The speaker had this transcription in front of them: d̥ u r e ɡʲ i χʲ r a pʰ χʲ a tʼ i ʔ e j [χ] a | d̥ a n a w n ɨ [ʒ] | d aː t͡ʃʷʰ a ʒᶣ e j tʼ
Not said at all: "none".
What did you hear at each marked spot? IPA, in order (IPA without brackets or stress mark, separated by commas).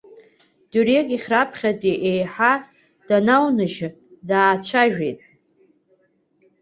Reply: ħ, ʒ